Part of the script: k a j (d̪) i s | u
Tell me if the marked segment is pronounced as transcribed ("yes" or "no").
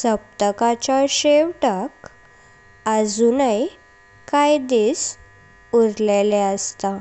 yes